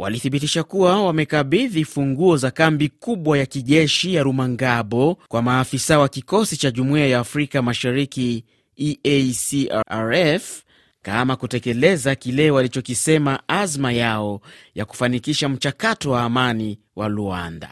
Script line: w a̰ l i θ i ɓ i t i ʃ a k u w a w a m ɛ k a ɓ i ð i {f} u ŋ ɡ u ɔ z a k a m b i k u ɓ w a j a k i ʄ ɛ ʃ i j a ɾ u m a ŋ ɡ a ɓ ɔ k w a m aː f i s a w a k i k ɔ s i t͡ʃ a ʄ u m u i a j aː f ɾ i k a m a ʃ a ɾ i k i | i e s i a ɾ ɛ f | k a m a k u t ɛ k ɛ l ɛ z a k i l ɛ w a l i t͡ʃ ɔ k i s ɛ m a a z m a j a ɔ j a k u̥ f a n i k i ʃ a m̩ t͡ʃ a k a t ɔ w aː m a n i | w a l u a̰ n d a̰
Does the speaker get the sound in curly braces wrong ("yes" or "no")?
no